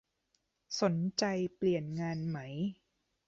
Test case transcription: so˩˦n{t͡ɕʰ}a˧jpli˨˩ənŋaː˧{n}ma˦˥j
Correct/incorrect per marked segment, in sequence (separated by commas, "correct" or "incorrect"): incorrect, correct